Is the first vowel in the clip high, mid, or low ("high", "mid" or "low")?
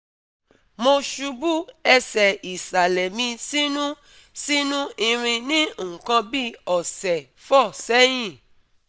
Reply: mid